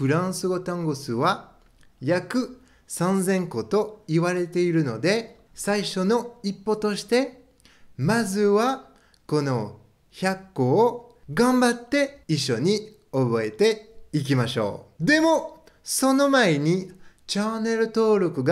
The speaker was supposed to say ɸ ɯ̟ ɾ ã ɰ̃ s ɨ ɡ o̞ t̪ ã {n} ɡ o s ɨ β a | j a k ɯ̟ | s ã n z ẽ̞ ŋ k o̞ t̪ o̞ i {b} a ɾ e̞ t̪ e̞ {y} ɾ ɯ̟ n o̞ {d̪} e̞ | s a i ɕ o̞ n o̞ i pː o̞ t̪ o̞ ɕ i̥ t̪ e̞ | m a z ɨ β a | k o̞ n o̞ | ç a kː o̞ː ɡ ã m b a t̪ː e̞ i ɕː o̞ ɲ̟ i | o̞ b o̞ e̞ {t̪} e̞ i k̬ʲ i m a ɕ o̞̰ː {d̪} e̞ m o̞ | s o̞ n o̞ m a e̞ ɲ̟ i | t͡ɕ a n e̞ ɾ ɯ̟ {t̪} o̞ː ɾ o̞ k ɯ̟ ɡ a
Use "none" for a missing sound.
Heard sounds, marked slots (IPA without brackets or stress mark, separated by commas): ŋ, β, i, d̪, t̪, d̪, t̪